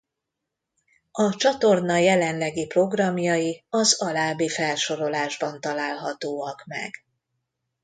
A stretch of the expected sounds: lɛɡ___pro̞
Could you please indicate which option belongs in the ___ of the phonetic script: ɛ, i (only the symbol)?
i